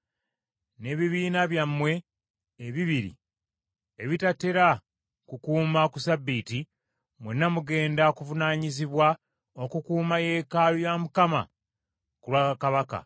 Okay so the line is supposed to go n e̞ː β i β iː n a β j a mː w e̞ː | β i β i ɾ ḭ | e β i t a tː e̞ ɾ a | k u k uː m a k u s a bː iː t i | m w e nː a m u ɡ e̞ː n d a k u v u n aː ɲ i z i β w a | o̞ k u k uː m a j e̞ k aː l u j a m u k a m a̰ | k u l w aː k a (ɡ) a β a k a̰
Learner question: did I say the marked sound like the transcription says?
no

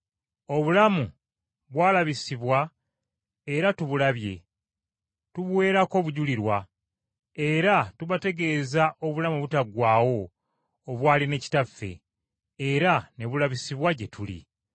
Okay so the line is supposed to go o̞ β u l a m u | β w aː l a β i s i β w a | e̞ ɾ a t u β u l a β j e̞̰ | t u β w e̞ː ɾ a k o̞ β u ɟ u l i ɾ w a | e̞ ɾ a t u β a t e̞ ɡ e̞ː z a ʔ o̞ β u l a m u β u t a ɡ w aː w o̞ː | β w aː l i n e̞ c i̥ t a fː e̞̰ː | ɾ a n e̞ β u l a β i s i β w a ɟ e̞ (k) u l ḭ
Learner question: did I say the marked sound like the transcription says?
no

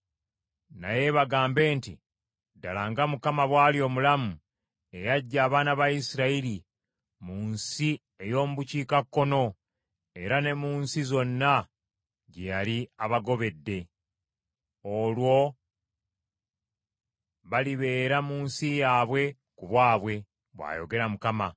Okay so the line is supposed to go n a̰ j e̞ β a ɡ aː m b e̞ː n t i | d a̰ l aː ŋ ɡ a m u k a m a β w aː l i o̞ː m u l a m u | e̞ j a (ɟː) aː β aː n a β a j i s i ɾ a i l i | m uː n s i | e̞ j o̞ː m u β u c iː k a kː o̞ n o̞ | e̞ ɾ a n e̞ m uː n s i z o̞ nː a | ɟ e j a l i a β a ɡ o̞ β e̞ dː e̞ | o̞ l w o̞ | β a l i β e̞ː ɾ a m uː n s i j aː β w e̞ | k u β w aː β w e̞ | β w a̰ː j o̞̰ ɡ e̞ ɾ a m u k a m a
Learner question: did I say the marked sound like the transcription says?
yes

